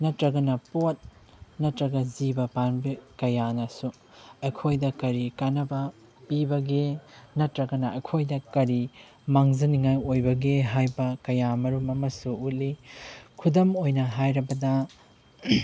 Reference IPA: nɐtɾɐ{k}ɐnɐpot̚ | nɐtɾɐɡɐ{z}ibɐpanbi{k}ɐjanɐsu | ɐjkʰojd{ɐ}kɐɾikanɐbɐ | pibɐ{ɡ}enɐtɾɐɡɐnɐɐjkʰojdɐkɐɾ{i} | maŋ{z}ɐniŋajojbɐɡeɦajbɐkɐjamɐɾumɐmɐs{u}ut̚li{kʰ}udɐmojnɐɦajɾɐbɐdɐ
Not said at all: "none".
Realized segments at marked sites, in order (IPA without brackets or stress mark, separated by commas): ɡ, z, k, ɐ, ɡ, i, z, u, kʰ